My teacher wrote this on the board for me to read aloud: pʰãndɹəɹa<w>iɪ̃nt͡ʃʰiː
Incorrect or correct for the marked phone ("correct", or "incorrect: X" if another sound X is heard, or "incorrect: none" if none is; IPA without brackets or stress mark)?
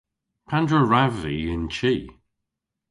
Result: incorrect: v